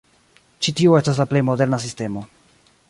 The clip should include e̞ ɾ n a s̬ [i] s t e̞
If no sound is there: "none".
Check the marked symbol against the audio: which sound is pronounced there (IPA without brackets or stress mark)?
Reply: i